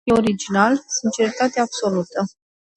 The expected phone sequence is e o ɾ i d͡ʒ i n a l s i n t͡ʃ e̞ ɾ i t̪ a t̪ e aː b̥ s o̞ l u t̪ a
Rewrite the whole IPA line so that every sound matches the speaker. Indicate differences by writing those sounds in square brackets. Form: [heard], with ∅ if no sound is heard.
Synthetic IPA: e o ɾ i d͡ʒ i n a l s i n t͡ʃ e̞ ɾ i t̪ a t̪ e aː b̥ s o̞ l u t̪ [ə]